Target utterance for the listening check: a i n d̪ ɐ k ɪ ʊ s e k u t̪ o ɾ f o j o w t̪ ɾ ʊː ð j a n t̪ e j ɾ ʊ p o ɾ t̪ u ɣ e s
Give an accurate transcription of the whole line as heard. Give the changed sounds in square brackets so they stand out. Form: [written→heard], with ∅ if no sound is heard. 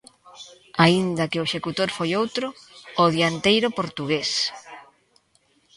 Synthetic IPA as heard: a i n d̪ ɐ k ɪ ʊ [s→ʃ] e k u t̪ o ɾ f o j o w t̪ ɾ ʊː ð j a n t̪ e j ɾ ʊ p o ɾ t̪ u ɣ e s